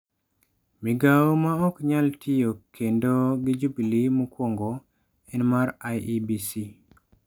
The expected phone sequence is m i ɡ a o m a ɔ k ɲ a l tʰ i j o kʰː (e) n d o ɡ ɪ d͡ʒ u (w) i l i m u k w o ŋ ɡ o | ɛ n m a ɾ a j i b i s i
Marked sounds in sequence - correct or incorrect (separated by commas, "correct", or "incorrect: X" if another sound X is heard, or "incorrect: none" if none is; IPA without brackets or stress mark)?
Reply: correct, incorrect: b